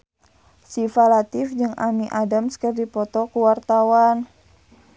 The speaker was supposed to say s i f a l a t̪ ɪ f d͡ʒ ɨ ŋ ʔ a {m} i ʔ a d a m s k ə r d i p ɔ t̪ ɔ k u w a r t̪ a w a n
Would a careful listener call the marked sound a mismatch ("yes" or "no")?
no